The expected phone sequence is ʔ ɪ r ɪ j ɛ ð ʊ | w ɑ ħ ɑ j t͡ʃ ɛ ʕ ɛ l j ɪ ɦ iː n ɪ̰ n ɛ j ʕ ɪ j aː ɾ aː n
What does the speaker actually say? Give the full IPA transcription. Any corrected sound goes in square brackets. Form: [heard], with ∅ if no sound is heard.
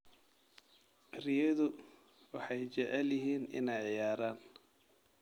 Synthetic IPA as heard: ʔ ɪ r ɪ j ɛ ð ʊ | w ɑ ħ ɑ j t͡ʃ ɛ ʕ ɛ l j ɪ ɦ iː n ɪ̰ n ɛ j ʕ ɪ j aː ɾ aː n